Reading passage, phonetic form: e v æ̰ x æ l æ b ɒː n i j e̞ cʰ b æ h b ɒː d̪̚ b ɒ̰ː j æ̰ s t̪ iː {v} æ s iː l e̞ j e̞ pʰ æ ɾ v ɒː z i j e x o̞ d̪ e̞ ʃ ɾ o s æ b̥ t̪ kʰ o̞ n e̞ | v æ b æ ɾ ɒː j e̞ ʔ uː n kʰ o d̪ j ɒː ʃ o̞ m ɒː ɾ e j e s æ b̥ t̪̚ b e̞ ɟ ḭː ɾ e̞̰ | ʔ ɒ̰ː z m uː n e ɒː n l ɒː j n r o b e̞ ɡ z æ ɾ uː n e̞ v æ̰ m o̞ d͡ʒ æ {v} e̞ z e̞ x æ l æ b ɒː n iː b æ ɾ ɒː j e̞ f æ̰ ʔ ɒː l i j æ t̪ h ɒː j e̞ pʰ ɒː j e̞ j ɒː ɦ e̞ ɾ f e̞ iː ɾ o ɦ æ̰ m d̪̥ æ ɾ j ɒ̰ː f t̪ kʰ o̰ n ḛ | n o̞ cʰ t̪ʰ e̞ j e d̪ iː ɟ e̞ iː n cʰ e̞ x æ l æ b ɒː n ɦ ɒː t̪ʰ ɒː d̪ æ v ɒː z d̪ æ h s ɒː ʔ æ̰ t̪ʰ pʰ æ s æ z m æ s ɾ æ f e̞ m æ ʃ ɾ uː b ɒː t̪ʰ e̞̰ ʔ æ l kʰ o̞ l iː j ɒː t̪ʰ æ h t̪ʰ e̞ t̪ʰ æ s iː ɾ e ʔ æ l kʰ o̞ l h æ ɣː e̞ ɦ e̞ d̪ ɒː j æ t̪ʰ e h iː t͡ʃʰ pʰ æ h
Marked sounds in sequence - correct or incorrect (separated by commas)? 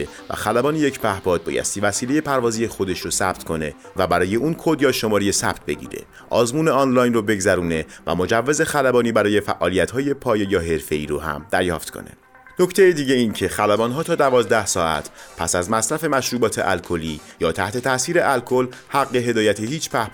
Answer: correct, incorrect